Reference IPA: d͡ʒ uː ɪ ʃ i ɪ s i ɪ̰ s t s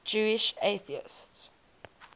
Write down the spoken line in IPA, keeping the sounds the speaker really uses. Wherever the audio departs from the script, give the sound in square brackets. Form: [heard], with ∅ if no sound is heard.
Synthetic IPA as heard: d͡ʒ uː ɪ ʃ [e] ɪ [θ] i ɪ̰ s t s